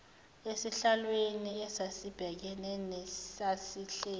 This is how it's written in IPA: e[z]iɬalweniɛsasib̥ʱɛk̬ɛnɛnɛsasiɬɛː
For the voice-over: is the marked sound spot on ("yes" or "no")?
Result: no